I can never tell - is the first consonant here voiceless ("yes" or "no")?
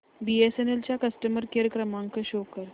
no